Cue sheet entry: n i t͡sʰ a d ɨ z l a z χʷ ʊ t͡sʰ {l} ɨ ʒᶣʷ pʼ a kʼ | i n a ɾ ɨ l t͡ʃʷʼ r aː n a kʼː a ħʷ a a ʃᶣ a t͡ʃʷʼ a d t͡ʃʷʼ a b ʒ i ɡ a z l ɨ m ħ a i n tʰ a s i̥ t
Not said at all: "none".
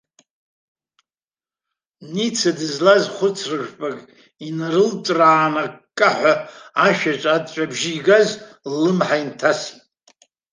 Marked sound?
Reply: r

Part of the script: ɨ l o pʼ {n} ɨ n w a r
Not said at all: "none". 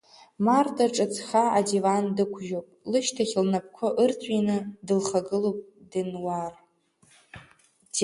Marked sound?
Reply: d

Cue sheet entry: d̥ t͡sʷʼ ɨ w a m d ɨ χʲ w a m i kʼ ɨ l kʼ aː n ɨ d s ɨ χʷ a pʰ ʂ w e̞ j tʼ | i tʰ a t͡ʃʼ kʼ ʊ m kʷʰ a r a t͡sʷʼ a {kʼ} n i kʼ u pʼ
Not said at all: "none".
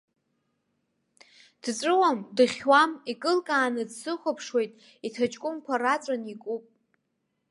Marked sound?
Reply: none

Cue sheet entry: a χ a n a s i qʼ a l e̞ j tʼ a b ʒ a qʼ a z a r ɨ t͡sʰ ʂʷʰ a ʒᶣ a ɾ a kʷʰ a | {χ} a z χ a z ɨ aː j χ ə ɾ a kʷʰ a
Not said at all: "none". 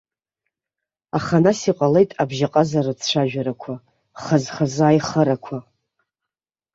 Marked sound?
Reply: χ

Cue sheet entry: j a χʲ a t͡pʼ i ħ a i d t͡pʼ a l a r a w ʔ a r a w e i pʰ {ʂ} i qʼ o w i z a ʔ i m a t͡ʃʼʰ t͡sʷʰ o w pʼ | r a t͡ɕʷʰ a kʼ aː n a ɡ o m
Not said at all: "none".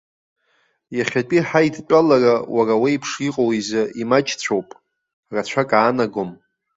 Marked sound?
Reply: ʂ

